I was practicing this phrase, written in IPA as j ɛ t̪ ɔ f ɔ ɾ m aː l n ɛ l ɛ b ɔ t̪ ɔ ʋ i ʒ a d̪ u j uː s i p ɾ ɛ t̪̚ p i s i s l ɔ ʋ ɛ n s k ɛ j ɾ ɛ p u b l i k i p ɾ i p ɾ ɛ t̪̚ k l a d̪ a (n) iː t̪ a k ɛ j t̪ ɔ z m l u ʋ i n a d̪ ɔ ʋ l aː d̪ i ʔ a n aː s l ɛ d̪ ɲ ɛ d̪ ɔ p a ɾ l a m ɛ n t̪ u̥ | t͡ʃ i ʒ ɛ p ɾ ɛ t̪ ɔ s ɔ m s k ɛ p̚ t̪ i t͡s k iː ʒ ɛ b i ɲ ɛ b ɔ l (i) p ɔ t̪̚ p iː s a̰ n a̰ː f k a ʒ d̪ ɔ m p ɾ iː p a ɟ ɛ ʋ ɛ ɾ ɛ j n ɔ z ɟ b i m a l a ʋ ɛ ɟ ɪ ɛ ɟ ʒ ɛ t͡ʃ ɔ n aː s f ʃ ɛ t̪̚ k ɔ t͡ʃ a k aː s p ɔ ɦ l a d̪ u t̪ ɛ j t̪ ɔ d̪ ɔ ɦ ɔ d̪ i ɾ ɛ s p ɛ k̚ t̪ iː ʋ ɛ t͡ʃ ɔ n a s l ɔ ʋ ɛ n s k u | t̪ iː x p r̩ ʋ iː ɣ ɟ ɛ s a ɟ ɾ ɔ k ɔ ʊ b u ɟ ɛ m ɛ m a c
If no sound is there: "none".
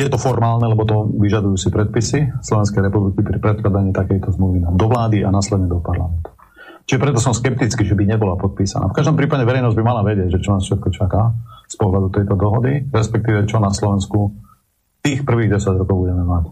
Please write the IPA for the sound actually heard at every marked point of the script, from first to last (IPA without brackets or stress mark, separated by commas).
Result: ɲ, a